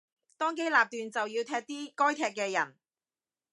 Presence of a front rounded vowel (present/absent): present